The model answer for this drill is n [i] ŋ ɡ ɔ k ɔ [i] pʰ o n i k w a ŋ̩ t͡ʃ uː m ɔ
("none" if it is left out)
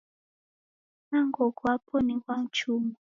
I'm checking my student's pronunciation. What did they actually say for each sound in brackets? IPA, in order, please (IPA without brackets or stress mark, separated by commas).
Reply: a, a